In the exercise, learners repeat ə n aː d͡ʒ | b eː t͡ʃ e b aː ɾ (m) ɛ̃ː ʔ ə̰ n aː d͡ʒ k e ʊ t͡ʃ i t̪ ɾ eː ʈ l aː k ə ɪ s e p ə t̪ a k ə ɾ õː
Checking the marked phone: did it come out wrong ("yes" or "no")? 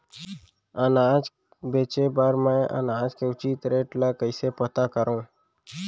no